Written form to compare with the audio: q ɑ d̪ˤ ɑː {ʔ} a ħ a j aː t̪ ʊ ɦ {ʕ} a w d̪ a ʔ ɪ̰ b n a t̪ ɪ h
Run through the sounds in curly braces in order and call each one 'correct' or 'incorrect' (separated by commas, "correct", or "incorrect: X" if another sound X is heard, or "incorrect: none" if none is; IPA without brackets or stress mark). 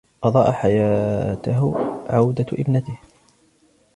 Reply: correct, correct